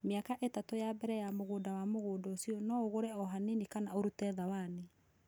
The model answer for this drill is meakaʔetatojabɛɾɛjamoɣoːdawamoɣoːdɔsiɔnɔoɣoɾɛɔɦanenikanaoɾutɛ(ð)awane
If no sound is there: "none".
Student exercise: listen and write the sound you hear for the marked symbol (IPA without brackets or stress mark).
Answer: ð